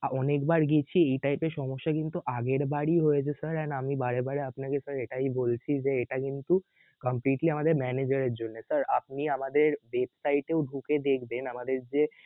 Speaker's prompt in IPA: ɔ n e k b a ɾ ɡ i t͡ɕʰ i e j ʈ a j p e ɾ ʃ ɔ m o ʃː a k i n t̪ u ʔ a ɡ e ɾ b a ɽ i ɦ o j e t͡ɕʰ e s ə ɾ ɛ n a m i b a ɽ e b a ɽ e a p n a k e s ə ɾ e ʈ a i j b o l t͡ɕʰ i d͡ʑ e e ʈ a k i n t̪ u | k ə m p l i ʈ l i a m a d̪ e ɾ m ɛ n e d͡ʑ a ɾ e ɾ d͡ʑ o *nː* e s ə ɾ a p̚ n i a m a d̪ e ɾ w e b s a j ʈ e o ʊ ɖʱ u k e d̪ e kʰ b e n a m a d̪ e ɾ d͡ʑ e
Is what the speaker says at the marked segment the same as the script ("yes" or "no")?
yes